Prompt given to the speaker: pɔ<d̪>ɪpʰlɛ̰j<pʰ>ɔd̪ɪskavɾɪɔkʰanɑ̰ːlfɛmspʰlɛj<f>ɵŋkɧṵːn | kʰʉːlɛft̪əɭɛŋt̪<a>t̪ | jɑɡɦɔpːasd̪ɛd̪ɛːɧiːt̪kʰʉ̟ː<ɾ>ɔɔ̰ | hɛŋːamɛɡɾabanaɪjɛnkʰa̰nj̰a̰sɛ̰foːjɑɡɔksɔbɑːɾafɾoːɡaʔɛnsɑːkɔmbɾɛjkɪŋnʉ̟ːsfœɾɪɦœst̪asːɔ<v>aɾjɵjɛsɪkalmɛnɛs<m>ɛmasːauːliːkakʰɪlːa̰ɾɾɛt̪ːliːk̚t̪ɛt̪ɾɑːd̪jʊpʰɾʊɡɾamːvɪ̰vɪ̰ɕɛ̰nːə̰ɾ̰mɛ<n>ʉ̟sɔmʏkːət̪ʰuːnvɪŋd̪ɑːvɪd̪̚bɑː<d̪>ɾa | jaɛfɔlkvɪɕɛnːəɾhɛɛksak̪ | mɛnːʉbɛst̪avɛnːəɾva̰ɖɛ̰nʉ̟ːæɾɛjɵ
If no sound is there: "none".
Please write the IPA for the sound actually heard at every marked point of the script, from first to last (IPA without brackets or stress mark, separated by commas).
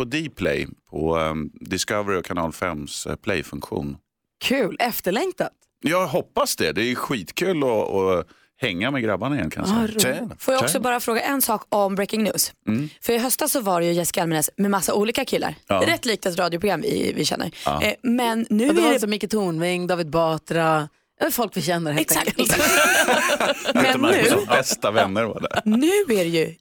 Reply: d̪, pʰ, f, a, l, v, m, nː, t̪